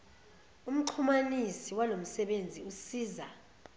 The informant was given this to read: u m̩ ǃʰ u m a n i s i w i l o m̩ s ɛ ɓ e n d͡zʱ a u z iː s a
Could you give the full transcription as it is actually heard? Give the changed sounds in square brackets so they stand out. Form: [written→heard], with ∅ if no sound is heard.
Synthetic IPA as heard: u m̩ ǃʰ u m a n i s i w [i→a] l o m̩ s ɛ ɓ e n d͡zʱ [a→i] u [z→s] iː [s→z] a